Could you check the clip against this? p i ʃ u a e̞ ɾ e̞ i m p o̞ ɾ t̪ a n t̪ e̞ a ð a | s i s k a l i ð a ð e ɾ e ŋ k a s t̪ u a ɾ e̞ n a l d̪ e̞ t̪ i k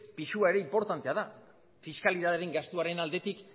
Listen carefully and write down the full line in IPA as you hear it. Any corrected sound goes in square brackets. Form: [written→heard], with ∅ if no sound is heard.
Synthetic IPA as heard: p i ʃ u a e̞ ɾ e̞ i m p o̞ ɾ t̪ a n t̪ e̞ a ð a | [s→f] i s k a l i ð a ð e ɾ e ŋ [k→ɡ] a s t̪ u a ɾ e̞ n a l d̪ e̞ t̪ i k